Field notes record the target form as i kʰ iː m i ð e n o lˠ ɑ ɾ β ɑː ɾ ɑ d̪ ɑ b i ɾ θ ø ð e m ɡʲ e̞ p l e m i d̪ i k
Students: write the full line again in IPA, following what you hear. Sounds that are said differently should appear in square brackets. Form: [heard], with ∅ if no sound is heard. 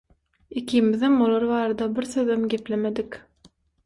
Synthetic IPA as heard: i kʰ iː m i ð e [m] o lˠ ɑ ɾ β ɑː ɾ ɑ d̪ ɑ b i ɾ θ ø ð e m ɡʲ e̞ p l e m [e] d̪ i k